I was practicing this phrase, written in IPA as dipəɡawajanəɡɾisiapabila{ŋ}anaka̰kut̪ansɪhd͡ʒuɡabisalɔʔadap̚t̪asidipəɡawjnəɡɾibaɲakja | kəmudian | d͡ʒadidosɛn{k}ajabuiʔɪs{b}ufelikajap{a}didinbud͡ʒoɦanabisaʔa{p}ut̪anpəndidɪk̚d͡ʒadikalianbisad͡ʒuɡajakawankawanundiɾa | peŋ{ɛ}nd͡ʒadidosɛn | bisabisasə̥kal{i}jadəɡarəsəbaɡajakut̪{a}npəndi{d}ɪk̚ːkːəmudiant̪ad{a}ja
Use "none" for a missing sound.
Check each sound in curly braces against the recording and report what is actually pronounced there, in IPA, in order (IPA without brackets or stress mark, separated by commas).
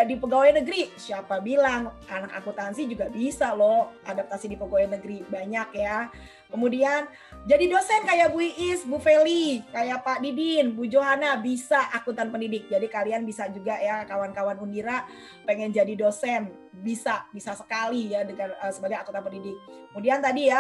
ŋ, k, b, a, k, ɛ, i, a, d, i